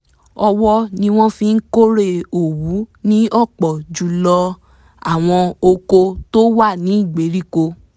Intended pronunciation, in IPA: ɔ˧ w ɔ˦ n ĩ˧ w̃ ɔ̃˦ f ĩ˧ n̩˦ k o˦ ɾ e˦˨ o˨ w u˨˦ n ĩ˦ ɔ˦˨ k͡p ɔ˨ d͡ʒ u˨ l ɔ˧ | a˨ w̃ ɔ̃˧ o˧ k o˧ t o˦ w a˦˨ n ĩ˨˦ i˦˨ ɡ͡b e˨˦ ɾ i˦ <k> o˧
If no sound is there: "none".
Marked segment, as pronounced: k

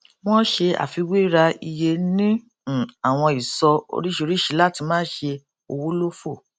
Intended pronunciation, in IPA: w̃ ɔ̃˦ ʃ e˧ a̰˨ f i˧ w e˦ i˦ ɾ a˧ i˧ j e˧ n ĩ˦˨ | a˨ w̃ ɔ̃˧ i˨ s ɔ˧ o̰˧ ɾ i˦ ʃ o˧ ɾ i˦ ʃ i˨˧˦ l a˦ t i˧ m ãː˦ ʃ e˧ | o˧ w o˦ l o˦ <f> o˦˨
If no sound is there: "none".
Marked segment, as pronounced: f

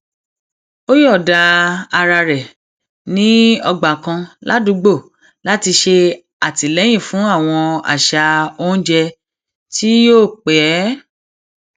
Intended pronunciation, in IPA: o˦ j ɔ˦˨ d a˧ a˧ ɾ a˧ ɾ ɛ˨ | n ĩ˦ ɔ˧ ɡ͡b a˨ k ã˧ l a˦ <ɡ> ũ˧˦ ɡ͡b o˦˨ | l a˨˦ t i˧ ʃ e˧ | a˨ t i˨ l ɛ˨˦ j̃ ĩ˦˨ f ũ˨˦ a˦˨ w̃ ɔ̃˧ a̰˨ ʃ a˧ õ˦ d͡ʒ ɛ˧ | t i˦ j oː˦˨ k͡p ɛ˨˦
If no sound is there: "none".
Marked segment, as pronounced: d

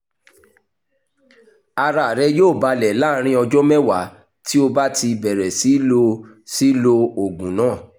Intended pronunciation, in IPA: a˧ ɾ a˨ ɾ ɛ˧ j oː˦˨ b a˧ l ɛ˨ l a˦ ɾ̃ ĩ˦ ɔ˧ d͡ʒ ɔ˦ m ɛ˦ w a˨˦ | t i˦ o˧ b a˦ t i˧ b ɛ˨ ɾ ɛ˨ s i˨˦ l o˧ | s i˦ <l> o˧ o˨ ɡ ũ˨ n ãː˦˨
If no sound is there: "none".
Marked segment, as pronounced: l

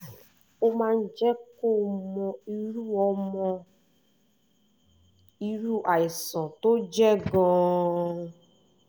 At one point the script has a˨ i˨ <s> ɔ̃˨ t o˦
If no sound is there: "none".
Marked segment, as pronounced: s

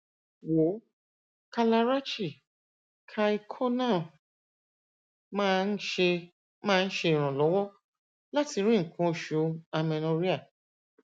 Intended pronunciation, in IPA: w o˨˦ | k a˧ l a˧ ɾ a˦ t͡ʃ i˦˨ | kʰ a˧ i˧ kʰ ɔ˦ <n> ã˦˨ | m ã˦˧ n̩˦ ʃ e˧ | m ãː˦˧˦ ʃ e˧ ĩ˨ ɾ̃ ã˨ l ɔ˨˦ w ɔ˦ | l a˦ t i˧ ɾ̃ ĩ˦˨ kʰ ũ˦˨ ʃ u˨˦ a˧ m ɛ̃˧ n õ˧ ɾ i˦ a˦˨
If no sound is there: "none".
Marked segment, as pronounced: n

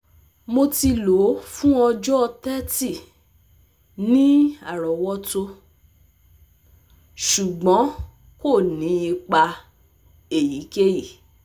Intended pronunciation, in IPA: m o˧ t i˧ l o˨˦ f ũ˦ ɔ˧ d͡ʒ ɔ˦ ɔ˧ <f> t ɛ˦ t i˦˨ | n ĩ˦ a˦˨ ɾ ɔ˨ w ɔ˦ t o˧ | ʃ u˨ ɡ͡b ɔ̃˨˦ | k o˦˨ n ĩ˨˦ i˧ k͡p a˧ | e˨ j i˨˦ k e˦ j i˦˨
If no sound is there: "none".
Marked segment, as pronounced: none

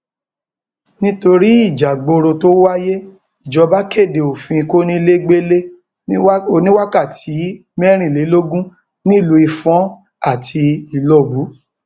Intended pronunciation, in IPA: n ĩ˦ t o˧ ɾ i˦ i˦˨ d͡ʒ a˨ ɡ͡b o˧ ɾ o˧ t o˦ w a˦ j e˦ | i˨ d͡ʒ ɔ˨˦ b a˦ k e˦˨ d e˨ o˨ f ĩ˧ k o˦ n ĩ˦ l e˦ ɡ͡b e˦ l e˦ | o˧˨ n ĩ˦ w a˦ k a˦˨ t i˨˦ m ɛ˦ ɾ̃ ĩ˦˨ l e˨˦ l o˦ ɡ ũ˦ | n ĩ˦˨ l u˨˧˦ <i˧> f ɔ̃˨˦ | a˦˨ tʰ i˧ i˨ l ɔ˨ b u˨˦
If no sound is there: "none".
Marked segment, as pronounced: i˧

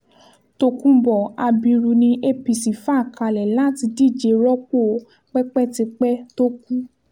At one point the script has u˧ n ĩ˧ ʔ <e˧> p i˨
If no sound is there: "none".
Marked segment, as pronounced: e˧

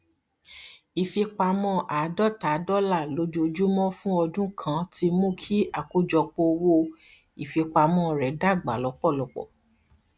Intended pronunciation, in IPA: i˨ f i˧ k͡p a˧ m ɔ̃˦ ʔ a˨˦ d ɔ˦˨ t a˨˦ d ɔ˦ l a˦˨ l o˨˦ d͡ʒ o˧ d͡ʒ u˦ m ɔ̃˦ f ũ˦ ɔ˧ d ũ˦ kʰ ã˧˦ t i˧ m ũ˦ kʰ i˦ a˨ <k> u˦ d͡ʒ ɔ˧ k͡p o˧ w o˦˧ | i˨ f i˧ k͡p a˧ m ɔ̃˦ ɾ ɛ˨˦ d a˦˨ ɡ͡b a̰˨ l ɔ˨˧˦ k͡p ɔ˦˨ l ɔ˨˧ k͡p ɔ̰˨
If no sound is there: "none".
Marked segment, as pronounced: k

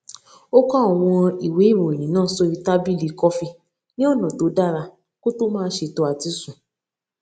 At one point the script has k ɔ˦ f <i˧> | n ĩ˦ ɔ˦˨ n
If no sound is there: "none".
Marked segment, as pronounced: i˧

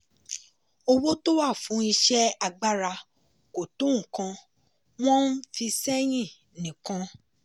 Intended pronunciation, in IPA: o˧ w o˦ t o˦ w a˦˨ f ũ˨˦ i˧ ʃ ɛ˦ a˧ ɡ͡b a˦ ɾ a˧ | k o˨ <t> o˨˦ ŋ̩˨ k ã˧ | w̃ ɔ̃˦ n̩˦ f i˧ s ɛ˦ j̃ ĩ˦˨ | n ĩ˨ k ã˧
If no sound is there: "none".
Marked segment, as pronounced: t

